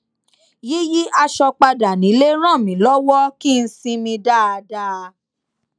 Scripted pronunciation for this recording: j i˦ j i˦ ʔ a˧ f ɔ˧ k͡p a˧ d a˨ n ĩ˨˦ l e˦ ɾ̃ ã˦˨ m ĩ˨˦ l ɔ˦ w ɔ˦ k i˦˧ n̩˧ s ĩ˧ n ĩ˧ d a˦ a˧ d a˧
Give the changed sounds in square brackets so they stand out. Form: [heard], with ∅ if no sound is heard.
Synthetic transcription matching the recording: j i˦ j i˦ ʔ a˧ [ʃ] ɔ˧ k͡p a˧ d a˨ n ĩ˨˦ l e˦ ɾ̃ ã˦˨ m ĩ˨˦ l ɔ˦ w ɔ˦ k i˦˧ n̩˧ s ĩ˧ [m] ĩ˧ d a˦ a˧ d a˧